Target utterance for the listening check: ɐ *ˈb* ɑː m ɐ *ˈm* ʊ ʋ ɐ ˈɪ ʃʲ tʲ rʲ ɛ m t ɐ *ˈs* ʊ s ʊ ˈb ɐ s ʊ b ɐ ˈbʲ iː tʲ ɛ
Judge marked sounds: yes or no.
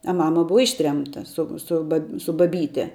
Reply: no, no, yes

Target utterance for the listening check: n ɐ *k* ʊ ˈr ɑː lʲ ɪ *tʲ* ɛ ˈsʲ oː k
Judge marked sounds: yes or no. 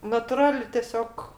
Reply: no, yes

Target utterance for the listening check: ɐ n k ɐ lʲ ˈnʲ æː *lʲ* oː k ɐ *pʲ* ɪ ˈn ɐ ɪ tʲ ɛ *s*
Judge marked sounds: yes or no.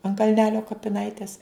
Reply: yes, yes, yes

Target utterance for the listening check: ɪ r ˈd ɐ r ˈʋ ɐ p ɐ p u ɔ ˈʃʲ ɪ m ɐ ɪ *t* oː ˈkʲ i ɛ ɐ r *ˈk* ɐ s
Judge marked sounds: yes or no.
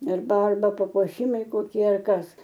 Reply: no, yes

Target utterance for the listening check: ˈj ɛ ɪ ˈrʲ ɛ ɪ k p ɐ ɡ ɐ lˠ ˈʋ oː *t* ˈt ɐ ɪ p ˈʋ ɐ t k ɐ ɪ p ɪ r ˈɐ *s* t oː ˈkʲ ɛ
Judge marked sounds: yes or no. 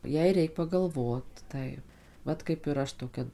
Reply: yes, no

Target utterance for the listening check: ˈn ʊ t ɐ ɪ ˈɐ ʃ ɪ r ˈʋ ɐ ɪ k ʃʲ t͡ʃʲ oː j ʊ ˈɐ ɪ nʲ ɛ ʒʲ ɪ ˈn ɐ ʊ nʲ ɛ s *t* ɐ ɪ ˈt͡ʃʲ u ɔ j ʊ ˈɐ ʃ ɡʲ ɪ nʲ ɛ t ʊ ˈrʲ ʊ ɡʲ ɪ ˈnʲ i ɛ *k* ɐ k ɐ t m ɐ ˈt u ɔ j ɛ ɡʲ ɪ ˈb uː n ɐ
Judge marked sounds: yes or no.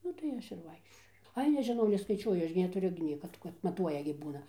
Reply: no, yes

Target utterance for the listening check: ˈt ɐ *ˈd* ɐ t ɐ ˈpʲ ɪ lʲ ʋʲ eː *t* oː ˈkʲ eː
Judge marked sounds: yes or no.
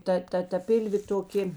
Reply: no, yes

